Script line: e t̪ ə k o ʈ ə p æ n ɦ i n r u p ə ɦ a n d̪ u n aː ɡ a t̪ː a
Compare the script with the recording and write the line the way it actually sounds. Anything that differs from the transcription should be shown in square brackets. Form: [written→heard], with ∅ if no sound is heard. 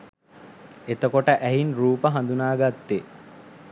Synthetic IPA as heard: e t̪ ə k o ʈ ə [p→ʔ] æ [n→∅] ɦ i n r [u→uː] p ə ɦ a n d̪ u n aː ɡ a t̪ː [a→e]